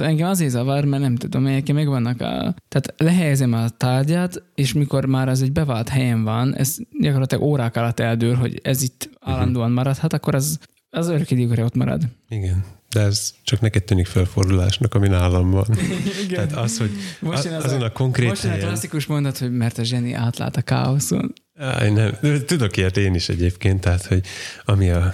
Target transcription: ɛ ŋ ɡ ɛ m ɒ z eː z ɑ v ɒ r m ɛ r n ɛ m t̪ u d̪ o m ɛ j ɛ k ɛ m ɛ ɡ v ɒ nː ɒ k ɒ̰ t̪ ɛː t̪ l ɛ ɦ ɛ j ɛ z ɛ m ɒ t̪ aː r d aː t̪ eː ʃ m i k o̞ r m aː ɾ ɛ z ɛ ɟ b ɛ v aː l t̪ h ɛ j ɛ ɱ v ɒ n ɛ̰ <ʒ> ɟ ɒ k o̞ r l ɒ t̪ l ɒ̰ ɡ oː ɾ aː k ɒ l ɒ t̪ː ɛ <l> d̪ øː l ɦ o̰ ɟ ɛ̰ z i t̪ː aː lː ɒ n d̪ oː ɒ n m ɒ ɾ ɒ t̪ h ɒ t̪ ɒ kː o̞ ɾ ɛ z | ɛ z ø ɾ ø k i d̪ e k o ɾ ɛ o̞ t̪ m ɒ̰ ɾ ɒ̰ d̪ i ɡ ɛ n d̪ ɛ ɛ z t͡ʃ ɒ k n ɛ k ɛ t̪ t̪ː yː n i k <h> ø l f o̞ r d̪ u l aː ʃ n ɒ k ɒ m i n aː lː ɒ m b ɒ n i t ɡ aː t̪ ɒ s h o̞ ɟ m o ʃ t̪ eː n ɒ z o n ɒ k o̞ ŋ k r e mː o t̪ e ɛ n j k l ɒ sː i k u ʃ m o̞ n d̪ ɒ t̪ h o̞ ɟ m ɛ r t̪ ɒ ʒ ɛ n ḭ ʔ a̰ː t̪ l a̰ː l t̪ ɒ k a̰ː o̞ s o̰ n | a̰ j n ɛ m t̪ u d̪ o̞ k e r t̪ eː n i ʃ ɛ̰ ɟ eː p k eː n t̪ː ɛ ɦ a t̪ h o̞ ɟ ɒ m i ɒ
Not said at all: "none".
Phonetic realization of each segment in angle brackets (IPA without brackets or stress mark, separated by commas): z, l, f